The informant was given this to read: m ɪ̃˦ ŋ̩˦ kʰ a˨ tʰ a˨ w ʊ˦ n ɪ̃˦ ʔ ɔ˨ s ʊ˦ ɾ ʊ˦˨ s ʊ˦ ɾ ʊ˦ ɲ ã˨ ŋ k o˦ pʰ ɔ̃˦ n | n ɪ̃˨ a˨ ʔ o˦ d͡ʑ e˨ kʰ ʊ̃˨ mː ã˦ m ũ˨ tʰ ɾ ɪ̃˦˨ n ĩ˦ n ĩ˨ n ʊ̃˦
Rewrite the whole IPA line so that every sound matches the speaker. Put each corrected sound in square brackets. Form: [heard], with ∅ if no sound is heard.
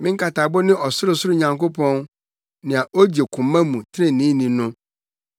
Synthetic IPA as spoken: m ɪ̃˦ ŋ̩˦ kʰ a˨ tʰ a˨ [b] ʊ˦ n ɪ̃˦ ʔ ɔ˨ s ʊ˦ ɾ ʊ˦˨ s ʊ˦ ɾ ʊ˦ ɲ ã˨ ŋ k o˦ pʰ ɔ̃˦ n | n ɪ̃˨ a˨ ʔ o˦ d͡ʑ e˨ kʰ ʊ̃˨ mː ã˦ m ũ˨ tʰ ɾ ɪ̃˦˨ n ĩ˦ n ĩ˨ n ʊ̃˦